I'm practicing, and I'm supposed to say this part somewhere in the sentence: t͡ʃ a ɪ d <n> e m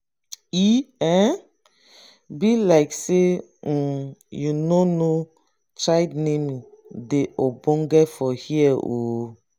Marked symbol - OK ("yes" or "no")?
yes